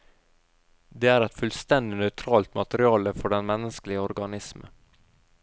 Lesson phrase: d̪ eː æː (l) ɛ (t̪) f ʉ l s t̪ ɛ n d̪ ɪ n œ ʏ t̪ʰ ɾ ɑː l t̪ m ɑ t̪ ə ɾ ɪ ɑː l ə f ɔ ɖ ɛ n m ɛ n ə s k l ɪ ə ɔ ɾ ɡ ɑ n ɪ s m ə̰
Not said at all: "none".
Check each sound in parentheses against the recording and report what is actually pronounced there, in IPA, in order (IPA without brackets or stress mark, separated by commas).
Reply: ɾ, t̪